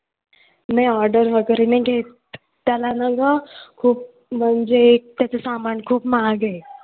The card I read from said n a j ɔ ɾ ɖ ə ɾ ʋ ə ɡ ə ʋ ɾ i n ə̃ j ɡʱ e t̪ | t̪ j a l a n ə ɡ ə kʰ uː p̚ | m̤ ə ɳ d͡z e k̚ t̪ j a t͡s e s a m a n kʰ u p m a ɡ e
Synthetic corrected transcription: n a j ɔ ɾ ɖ ə ɾ ʋ ə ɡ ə ɾ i n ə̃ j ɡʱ e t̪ | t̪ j a l a n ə ɡ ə kʰ uː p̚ | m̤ ə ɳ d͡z e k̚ t̪ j a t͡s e s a m a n kʰ uː p m a ɡ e

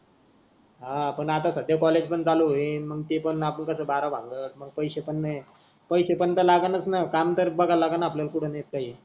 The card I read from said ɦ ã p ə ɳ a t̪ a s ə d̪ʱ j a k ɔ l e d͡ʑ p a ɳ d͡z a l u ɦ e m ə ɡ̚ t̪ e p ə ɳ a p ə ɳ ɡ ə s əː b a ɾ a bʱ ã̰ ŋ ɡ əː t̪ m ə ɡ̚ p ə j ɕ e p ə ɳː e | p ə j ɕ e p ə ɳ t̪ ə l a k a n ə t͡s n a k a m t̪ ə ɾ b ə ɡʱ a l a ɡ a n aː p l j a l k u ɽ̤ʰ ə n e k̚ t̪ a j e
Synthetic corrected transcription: ɦ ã p ə ɳ a t̪ a s ə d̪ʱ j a k ɔ l e d͡ʑ p ə ɳ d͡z a l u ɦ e m ə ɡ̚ t̪ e p ə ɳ a p ə ɳ k ə s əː b a ɾ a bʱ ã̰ ŋ ɡ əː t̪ m ə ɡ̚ p ə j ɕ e p ə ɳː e | p ə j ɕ e p ə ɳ t̪ ə l a ɡ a n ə t͡s n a k a m t̪ ə ɾ b ə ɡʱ a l a ɡ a n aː p l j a l k u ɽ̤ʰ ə n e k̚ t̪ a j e

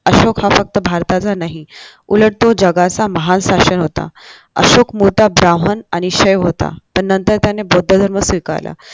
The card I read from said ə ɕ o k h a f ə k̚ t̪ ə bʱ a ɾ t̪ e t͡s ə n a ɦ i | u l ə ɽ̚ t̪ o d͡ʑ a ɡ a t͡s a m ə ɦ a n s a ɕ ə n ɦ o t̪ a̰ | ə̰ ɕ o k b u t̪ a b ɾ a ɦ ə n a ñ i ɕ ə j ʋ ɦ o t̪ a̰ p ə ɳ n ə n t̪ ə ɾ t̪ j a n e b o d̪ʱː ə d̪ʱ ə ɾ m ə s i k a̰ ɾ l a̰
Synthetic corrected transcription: ə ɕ o k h a f ə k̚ t̪ ə bʱ a ɾ t̪ a t͡s a n a ɦ i | u l ə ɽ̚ t̪ o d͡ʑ ə ɡ a t͡s a m ə ɦ a n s a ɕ ə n ɦ o t̪ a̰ | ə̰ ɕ o k m u t̪ a b ɾ a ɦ ə n a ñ i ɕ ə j ʋ ɦ o t̪ a̰ p ə ɳ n ə n t̪ ə ɾ t̪ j a n e b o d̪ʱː ə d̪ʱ ə ɾ m ə s i k a̰ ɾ l a̰

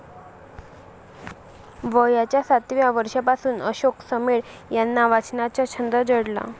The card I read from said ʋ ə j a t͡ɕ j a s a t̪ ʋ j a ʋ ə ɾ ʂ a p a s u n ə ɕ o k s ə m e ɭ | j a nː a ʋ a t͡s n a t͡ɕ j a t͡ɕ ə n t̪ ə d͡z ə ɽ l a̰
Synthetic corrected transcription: ʋ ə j a t͡ɕ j a s a t̪ ʋ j a ʋ ə ɾ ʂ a p a s uː n ə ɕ o k s ə m e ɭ | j a nː a ʋ a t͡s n a t͡ɕ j a t͡ɕʰ ə n d̪ ə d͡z ə ɽ l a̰

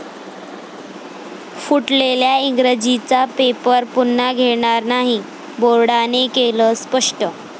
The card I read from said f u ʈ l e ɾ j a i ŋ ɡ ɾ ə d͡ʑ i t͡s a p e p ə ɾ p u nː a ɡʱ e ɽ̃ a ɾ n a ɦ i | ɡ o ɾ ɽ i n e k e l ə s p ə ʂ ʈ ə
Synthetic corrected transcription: f u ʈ l e l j a i ŋ ɡ ɾ ə d͡ʑ i t͡s a p e p ə ɾ p u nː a ɡʱ e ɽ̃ a ɾ n a ɦ i | b o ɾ ɽ a n e k e l ə s p ə ʂ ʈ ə

